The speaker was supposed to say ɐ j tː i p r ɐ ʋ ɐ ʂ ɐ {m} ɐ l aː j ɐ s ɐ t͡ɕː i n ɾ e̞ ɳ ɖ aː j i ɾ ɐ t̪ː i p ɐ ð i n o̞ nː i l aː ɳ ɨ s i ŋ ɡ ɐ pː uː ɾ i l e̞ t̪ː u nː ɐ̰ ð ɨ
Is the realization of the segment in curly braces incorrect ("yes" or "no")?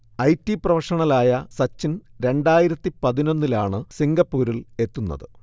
yes